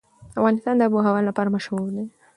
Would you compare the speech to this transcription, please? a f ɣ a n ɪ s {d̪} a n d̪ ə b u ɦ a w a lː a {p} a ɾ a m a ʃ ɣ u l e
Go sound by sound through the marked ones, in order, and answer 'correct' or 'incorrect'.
incorrect, correct

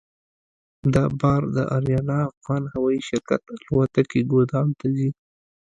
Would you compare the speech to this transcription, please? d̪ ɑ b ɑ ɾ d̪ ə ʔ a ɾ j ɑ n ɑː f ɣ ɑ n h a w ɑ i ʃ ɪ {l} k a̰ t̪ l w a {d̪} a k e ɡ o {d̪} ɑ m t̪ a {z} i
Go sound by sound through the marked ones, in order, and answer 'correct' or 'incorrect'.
incorrect, incorrect, correct, correct

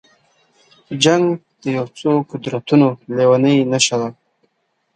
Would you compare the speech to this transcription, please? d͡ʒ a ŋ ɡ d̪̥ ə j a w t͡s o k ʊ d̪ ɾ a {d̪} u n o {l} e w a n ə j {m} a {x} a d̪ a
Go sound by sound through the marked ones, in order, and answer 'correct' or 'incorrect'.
incorrect, correct, incorrect, incorrect

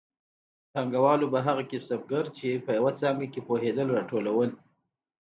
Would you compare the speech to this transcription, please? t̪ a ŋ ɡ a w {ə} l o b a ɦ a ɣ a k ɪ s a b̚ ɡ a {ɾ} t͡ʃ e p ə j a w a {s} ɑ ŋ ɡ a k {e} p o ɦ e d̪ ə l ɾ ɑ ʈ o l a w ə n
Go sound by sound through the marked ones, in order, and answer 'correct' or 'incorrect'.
incorrect, correct, incorrect, correct

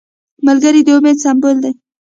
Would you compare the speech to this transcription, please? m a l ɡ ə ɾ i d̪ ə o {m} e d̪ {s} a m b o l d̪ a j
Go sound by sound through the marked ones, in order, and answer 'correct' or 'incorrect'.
correct, correct

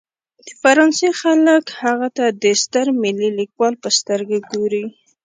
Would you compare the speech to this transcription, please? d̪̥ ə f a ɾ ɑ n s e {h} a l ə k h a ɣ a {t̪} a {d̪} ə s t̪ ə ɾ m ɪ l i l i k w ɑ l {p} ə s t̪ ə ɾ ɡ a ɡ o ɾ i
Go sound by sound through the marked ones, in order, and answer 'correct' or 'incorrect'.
incorrect, correct, correct, correct

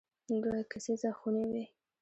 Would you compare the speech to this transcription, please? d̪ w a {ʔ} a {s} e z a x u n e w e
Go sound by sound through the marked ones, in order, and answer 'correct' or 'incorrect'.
incorrect, correct

